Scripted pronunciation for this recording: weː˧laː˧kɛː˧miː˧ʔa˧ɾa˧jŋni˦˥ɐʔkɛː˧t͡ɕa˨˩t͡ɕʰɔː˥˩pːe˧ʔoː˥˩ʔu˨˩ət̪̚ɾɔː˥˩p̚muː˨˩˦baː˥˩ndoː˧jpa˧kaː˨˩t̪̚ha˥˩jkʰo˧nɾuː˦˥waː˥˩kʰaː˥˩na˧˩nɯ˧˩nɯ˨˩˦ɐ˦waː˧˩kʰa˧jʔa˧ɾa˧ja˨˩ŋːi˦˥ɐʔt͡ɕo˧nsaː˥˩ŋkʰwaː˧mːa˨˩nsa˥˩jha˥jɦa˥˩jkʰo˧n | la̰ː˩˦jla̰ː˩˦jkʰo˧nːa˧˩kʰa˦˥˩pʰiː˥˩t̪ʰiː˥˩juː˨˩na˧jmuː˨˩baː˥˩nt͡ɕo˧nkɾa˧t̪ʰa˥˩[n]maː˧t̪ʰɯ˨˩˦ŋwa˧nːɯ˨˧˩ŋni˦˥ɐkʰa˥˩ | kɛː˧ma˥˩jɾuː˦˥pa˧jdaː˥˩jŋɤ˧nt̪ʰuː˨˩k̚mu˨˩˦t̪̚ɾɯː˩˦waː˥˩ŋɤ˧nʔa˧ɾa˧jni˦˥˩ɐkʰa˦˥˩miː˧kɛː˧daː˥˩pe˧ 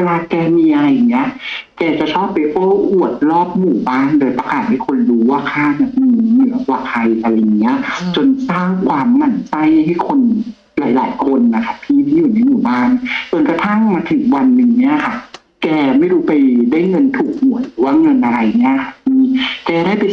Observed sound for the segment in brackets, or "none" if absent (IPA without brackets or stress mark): ŋ